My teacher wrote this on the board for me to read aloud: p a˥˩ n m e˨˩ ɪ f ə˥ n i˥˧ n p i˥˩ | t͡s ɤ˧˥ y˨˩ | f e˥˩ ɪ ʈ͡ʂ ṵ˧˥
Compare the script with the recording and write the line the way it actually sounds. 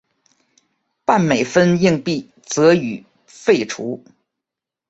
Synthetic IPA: p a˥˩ n m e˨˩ ɪ f ə˥ n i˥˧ ŋ p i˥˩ | t͡s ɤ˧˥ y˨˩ | f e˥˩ ɪ ʈ͡ʂʰ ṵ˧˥